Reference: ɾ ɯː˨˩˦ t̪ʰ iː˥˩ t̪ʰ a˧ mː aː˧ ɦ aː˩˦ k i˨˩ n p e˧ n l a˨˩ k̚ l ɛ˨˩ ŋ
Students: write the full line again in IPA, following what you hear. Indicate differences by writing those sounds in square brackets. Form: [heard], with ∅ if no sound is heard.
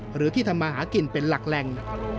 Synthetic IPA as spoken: ɾ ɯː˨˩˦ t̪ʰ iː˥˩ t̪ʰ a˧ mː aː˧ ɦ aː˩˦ k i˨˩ n p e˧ n l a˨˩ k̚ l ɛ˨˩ ŋ